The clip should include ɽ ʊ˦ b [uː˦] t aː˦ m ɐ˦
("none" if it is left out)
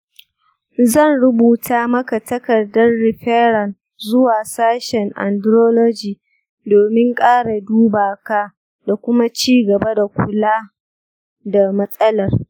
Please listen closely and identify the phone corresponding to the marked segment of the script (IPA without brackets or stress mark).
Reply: uː˨